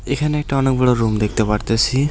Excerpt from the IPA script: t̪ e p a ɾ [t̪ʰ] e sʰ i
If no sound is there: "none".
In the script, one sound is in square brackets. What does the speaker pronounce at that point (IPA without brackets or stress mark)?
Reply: t̪